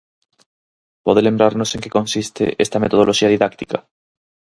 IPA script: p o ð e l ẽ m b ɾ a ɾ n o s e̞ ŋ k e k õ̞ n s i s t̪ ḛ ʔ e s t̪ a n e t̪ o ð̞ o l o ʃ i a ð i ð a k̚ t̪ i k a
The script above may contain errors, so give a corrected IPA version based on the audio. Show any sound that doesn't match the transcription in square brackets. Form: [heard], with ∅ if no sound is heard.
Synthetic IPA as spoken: p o ð e l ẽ m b ɾ a ɾ n o s e̞ ŋ k e k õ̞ n s i s t̪ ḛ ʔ e s t̪ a [m] e t̪ o ð̞ o l o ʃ i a ð i ð a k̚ t̪ i k a